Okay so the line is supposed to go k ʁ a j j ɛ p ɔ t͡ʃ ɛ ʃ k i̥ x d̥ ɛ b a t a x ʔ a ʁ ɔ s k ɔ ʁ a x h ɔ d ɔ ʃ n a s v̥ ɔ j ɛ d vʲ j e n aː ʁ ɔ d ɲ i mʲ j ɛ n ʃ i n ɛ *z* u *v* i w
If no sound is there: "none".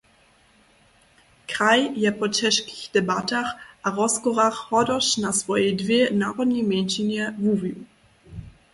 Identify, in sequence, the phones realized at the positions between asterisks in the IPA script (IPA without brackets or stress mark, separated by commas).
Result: v, v